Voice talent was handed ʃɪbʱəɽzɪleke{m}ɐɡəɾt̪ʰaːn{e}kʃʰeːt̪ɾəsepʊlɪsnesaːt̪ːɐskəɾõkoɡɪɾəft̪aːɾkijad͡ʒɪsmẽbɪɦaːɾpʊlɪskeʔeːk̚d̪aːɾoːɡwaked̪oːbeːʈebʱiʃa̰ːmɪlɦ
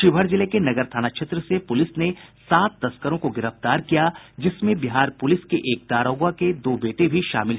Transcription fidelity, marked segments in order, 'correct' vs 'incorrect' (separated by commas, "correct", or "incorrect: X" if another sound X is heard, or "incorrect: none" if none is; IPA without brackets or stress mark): incorrect: n, incorrect: a